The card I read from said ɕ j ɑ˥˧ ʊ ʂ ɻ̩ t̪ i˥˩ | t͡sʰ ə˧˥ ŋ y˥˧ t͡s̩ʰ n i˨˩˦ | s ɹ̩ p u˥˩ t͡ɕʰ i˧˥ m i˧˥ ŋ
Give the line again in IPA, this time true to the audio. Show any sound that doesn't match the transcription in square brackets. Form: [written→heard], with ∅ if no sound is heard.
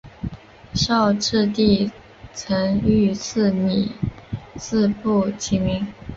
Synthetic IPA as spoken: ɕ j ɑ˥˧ ʊ [ʂ→ʈ͡ʂ] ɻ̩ t̪ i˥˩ | t͡sʰ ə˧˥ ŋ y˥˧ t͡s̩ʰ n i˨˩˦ | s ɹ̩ p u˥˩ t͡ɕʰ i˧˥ m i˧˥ ŋ